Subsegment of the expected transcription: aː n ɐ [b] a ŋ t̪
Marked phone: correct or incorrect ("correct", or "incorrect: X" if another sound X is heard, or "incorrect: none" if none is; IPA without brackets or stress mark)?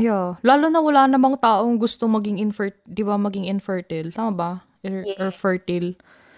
incorrect: m